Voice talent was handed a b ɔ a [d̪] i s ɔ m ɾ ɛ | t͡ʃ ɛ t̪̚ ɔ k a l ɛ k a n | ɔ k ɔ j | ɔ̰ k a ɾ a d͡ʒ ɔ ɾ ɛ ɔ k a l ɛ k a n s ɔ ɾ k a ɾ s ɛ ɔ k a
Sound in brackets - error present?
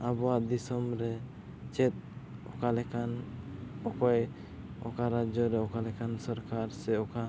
no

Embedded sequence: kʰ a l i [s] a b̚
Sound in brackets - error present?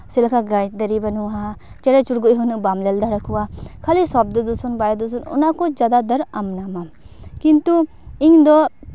no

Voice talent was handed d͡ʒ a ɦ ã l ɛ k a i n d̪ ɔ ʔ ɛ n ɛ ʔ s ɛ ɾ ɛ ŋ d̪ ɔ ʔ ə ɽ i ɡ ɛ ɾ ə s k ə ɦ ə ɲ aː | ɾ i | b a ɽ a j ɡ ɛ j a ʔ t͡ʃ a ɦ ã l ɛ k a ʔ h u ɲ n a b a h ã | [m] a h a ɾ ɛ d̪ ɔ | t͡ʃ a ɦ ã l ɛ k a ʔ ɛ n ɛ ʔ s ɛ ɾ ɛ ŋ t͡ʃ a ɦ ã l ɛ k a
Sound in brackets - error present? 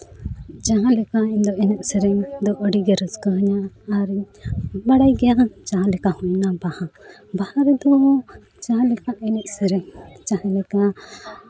yes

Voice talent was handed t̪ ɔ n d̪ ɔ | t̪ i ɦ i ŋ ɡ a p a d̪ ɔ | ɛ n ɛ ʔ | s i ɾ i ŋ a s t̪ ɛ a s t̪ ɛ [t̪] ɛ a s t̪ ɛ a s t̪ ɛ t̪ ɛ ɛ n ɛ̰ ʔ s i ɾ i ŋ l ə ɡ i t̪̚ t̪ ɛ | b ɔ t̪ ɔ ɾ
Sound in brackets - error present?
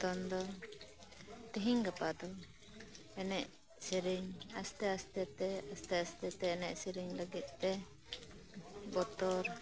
no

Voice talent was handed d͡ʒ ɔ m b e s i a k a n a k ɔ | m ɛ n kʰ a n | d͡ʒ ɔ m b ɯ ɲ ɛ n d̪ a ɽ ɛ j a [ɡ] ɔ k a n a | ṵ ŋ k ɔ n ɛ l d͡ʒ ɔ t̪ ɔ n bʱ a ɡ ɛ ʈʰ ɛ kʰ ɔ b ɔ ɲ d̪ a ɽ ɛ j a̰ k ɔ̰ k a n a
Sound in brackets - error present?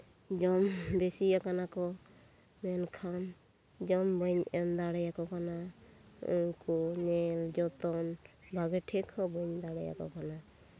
yes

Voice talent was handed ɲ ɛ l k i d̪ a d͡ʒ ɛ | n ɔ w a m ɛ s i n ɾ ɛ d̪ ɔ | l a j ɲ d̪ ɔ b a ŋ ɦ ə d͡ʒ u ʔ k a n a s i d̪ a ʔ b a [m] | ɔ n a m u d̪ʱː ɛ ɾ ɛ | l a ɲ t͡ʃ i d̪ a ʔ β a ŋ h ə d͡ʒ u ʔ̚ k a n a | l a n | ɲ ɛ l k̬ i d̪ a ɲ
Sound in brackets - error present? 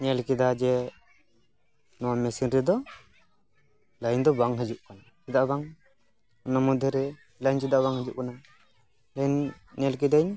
yes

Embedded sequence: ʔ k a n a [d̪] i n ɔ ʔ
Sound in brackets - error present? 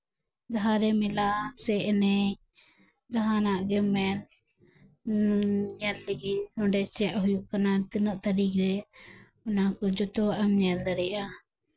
yes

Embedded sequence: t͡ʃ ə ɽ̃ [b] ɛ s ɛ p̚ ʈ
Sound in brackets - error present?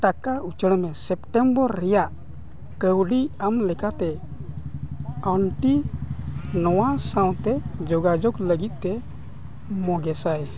yes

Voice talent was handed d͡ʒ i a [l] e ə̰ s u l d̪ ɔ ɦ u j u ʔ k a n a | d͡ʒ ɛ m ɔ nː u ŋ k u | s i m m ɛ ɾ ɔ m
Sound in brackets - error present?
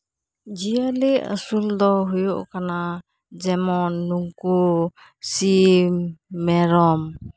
no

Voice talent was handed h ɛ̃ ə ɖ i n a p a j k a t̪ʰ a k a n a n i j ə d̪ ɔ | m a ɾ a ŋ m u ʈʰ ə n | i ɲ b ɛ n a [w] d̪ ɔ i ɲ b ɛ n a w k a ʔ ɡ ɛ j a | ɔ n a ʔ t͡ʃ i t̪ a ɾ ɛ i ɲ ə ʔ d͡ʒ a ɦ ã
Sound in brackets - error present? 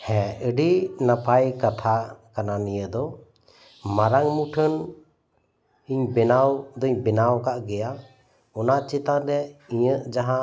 no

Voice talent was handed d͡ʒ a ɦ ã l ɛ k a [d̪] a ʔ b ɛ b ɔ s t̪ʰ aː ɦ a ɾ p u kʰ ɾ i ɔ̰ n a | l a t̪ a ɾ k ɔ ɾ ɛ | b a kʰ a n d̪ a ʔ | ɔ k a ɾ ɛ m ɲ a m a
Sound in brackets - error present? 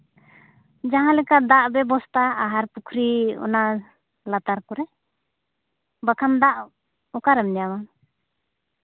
no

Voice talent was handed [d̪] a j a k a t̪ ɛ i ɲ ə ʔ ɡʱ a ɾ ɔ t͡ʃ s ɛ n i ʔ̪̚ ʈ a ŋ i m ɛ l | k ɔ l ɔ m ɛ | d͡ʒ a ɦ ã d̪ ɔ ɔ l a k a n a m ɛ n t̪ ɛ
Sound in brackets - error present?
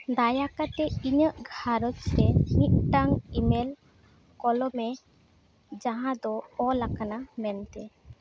no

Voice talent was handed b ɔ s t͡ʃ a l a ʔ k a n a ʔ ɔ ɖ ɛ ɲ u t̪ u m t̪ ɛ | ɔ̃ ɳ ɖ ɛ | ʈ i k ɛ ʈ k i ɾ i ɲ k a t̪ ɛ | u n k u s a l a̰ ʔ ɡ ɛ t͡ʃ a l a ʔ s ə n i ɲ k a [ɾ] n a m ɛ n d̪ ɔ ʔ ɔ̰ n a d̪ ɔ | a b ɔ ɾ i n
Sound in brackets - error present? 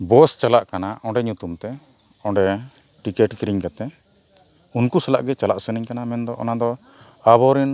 yes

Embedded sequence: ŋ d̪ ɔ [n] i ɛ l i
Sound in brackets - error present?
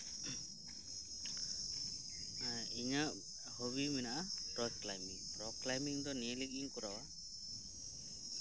no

